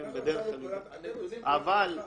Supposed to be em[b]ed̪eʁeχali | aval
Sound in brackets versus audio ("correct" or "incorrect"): correct